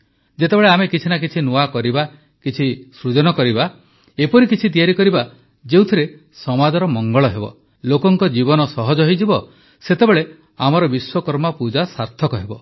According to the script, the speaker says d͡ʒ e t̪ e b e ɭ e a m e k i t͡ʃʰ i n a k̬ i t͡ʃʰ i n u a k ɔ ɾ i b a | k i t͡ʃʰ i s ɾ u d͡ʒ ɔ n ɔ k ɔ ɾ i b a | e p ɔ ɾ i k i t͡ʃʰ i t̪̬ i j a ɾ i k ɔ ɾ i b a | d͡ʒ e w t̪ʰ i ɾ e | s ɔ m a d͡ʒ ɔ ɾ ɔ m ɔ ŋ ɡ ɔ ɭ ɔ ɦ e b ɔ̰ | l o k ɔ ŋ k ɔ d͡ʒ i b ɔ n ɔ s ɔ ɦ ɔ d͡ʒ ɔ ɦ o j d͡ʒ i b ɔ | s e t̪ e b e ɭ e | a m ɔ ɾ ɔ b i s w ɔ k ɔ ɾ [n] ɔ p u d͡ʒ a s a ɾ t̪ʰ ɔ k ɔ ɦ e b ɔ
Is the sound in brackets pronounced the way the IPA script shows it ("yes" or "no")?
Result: no